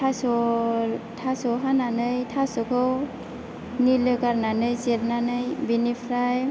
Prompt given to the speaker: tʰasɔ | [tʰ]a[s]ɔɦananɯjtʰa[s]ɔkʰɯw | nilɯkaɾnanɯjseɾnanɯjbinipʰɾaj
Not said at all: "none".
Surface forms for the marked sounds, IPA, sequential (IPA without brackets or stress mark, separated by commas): tʰ, s, s